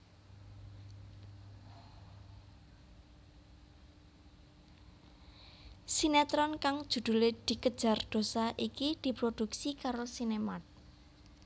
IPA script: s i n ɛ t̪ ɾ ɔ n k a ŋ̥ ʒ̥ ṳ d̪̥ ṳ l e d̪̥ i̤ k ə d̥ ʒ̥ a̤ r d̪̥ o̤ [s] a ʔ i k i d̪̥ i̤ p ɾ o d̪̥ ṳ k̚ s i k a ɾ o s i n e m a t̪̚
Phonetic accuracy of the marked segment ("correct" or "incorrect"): correct